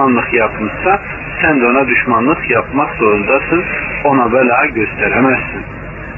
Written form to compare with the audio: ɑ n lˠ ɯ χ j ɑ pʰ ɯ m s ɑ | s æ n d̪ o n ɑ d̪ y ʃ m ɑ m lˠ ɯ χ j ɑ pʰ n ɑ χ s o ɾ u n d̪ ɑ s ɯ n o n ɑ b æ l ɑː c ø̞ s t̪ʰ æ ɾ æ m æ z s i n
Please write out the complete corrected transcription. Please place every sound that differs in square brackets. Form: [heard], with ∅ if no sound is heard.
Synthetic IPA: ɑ n lˠ ɯ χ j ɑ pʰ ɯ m s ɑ | s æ n d̪ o n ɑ d̪ y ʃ m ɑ [n] lˠ ɯ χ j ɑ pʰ [m] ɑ χ s o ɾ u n d̪ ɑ s ɯ n o n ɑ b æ l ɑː [ɟ] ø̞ s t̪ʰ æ ɾ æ m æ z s i n